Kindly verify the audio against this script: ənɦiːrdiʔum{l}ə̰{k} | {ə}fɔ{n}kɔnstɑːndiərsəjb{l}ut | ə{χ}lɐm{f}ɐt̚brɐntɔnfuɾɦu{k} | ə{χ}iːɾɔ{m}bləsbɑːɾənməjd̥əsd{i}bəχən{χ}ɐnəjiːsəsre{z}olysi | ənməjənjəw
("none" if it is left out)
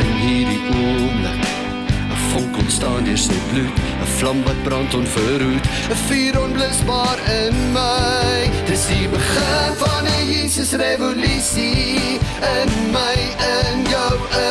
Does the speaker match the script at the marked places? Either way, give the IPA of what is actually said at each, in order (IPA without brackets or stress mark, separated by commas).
l, k, ə, ŋ, l, f, v, t, f, n, i, f, v